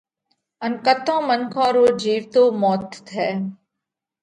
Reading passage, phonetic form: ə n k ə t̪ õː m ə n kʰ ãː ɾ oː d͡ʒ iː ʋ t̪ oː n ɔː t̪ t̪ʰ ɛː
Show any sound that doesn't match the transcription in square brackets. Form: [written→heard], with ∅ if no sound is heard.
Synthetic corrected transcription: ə n k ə t̪ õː m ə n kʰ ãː ɾ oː d͡ʒ iː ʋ t̪ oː [n→m] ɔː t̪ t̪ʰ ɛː